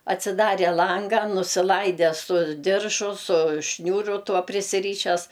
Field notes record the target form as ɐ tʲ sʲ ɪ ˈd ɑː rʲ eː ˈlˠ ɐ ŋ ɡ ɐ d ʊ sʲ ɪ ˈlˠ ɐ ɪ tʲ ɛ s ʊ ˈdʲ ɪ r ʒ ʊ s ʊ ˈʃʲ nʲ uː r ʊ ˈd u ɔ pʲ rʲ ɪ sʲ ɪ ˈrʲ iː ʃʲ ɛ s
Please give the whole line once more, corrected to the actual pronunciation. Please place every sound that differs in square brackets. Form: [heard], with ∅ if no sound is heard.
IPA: ɐ tʲ sʲ ɪ ˈd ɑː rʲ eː ˈlˠ ɐ ŋ ɡ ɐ [n] ʊ sʲ ɪ ˈlˠ ɐ ɪ [dʲ] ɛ s ʊ ˈdʲ ɪ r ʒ ʊ s ʊ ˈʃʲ nʲ uː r ʊ [ˈt] u ɔ pʲ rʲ ɪ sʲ ɪ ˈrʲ iː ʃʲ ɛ s

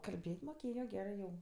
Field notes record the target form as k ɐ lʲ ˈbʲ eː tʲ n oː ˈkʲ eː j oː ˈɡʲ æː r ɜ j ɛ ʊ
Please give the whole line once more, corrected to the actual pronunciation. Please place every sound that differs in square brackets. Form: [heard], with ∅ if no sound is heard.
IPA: k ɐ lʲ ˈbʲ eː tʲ [m] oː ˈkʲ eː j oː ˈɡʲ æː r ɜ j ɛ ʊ

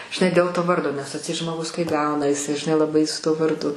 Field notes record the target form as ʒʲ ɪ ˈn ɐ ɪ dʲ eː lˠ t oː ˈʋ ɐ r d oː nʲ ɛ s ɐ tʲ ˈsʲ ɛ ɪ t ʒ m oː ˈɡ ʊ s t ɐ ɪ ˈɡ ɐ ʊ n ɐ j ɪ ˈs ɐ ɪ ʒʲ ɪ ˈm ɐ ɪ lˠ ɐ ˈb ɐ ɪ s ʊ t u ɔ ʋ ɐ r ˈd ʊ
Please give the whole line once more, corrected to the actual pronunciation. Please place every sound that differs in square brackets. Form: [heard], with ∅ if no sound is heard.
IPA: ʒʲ ɪ ˈn ɐ ɪ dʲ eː lˠ t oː ˈʋ ɐ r d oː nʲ ɛ s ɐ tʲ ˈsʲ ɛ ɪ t ʒ m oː ˈɡ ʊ s [k] ɐ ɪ ˈɡ ɐ ʊ n ɐ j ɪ ˈs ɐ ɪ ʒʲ ɪ [ˈn] ɐ ɪ lˠ ɐ ˈb ɐ ɪ s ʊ t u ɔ ʋ ɐ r ˈd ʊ

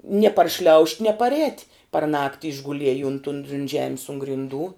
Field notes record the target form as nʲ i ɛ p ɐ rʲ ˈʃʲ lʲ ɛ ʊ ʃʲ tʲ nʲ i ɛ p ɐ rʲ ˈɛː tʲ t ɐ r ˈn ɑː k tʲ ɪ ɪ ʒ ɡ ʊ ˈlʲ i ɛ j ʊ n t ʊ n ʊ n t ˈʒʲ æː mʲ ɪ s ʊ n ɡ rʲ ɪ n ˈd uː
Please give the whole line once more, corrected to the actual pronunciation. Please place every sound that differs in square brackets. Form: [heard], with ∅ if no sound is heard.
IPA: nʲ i ɛ p ɐ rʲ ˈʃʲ lʲ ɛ ʊ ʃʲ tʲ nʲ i ɛ p ɐ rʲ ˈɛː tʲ [p] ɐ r ˈn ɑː k tʲ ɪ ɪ ʒ ɡ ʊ ˈlʲ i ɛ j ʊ n t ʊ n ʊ n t ˈʒʲ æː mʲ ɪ s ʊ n ɡ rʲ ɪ n ˈd uː

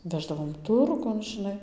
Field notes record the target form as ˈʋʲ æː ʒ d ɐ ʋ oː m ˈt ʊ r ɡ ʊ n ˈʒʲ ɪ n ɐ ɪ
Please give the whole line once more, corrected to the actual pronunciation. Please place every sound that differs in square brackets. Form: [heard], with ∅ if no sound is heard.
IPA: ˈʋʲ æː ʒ d ɐ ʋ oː m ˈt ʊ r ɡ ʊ n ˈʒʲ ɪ n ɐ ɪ

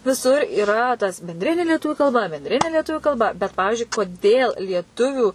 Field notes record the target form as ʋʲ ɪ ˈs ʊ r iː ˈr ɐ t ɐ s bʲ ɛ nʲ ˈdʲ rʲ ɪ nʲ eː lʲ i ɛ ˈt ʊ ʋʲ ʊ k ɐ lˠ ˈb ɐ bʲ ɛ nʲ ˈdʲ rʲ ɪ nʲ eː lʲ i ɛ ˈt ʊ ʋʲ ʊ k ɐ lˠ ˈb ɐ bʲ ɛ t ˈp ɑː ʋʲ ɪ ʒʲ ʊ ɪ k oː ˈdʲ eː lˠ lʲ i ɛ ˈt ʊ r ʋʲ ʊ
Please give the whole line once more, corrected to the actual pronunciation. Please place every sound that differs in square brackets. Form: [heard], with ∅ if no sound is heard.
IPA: ʋʲ ɪ ˈs ʊ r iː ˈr ɐ t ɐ s bʲ ɛ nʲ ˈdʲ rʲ ɪ nʲ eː lʲ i ɛ ˈt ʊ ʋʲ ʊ k ɐ lˠ ˈb ɐ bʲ ɛ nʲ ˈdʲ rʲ ɪ nʲ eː lʲ i ɛ ˈt ʊ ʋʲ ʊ k ɐ lˠ ˈb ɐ bʲ ɛ t ˈp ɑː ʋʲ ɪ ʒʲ ʊ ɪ k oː ˈdʲ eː lˠ lʲ i ɛ ˈt ʊ [∅] ʋʲ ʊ

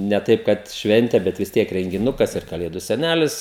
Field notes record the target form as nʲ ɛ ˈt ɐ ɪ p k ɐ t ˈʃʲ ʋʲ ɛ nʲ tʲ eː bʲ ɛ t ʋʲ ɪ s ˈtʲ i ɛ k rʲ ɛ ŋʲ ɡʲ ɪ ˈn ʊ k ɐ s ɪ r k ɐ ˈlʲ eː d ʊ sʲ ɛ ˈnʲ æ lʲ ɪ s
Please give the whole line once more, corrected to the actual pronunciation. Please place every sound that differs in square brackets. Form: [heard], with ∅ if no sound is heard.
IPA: nʲ ɛ ˈt ɐ ɪ p k ɐ t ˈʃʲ ʋʲ ɛ nʲ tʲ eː bʲ ɛ t ʋʲ ɪ s ˈtʲ i ɛ k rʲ ɛ ŋʲ ɡʲ ɪ ˈn ʊ k ɐ s ɪ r k ɐ ˈlʲ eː d ʊ sʲ ɛ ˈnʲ æ lʲ ɪ s

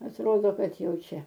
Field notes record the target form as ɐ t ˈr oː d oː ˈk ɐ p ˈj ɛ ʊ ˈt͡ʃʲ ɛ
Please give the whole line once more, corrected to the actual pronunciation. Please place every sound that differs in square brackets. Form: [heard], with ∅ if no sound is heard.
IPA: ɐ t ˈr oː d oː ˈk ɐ [t] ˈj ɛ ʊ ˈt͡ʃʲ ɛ

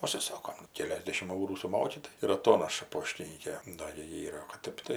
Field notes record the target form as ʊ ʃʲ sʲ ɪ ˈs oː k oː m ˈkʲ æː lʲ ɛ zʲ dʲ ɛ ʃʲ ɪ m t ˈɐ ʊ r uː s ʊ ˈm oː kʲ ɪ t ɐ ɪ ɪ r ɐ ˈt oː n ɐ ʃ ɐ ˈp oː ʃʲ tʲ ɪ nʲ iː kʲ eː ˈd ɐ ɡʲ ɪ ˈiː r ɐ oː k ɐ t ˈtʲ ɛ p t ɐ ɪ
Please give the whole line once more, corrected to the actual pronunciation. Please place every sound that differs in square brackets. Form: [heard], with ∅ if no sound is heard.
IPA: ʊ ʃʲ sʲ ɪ ˈs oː k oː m ˈkʲ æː lʲ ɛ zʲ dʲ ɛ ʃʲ ɪ m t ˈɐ ʊ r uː s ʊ ˈm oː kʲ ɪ t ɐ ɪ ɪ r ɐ ˈt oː n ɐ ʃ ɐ ˈp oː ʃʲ tʲ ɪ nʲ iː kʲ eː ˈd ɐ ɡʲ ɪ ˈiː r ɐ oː k ɐ t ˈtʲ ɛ p t ɐ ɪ

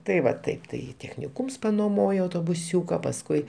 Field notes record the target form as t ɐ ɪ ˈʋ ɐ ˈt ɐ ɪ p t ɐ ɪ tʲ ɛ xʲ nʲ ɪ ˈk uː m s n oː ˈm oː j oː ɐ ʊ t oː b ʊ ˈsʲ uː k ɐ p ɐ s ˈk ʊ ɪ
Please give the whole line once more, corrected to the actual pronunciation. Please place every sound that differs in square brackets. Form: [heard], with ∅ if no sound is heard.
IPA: t ɐ ɪ ˈʋ ɐ ˈt ɐ ɪ p t ɐ ɪ tʲ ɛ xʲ nʲ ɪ ˈk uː m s n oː ˈm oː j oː ɐ ʊ t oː b ʊ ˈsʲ uː k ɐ p ɐ s ˈk ʊ ɪ

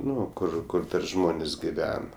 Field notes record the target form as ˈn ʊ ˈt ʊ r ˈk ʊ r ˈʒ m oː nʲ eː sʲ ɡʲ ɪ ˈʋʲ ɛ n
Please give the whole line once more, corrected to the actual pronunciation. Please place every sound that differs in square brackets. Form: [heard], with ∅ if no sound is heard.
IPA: ˈn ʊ [ˈk] ʊ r ˈk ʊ r ˈʒ m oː nʲ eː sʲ ɡʲ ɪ ˈʋʲ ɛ n

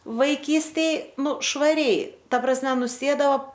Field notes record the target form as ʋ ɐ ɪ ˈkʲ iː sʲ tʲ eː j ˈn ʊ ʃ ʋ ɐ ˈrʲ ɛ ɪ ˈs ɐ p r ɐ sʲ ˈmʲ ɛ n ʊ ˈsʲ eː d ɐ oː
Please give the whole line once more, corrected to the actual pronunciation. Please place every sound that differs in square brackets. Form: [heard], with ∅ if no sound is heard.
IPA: ʋ ɐ ɪ ˈkʲ iː sʲ tʲ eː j ˈn ʊ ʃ ʋ ɐ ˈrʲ ɛ ɪ [ˈt] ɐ p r ɐ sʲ ˈmʲ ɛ n ʊ ˈsʲ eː d ɐ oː

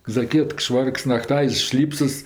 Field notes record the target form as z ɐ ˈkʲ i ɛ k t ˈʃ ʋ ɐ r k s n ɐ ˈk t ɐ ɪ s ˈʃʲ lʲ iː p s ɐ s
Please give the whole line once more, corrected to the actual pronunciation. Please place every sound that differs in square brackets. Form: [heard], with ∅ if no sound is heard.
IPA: z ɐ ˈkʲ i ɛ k t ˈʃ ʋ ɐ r k s n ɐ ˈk t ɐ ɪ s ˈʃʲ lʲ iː p s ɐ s

